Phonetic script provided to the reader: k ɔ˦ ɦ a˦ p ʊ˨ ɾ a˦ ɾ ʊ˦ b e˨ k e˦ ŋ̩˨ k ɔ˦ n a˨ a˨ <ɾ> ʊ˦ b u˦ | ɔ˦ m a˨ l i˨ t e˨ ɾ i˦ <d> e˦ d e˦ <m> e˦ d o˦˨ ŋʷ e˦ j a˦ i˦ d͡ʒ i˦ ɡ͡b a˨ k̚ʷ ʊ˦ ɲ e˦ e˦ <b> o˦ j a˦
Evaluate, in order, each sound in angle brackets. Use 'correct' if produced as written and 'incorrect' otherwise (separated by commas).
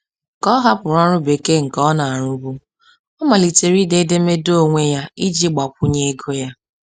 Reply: correct, correct, correct, incorrect